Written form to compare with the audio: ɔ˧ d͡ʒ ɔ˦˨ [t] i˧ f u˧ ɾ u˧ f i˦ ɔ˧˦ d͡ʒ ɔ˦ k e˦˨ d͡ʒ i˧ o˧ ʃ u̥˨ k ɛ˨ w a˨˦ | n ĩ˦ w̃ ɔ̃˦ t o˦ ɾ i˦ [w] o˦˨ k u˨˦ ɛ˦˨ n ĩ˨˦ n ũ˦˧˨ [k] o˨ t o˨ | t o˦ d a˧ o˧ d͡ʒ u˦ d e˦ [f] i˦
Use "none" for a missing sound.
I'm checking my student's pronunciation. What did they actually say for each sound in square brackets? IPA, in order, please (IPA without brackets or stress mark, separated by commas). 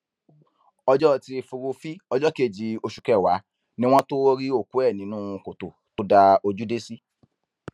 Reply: t, none, k, s